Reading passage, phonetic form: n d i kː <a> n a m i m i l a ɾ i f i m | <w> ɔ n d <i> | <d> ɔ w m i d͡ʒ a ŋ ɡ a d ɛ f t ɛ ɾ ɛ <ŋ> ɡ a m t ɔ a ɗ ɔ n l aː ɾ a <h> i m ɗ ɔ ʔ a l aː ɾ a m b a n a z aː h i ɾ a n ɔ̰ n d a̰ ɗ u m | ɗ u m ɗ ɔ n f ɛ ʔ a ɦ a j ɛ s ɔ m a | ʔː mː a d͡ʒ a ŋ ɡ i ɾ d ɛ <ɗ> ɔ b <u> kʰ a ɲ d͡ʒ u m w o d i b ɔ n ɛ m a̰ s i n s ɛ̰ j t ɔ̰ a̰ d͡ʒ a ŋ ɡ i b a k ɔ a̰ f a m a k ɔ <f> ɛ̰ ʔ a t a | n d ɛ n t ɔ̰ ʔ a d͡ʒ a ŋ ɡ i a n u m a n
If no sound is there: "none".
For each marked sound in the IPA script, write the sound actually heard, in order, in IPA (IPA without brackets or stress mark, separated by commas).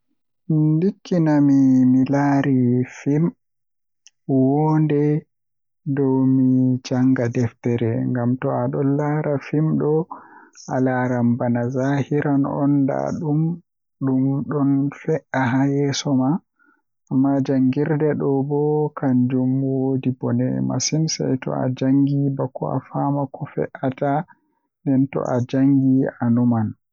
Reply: i, w, ɛ, d, ŋ, f, ɗ, ɔ, f